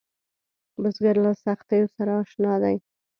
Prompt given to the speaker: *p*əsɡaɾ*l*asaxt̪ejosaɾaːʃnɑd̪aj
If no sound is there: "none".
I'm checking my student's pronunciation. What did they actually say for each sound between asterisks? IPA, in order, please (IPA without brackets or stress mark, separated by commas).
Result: b, l